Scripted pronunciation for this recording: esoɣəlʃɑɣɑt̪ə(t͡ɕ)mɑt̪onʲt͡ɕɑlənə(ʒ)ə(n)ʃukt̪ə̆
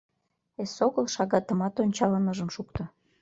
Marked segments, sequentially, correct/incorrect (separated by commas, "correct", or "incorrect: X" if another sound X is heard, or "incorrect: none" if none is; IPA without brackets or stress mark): incorrect: none, correct, incorrect: m